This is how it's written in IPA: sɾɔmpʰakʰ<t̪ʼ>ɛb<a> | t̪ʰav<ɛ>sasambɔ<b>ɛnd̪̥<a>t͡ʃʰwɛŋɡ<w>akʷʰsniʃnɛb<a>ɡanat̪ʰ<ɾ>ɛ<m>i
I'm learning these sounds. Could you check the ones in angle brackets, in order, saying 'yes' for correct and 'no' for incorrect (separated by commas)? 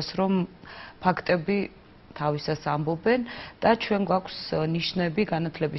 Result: yes, no, no, yes, yes, yes, no, no, no